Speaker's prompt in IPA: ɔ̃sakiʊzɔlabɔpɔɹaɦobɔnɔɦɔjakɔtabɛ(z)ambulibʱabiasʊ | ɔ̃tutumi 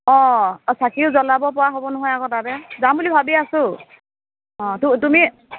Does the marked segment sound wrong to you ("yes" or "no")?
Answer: no